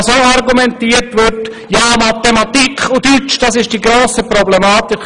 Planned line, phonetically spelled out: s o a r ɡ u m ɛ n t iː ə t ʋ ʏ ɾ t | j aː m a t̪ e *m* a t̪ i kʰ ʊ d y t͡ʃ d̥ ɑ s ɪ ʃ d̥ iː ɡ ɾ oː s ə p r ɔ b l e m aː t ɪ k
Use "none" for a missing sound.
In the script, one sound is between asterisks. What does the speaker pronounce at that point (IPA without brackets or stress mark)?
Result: m